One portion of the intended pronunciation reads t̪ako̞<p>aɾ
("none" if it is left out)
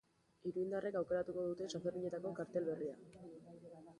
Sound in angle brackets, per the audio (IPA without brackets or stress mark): k